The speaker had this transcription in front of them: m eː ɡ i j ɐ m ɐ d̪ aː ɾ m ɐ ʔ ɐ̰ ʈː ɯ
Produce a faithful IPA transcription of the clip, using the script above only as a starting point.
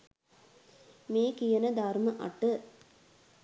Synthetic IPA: m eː k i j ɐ n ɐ d̪ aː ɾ m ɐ ʔ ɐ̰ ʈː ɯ